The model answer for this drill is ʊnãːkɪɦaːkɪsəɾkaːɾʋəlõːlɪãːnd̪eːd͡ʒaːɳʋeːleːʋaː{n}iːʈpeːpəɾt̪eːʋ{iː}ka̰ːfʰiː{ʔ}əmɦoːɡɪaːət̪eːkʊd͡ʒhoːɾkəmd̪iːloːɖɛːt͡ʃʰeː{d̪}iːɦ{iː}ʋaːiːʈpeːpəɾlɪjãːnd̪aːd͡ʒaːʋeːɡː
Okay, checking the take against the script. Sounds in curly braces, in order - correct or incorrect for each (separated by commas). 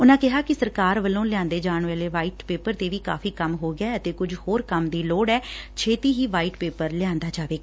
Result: incorrect, correct, incorrect, incorrect, correct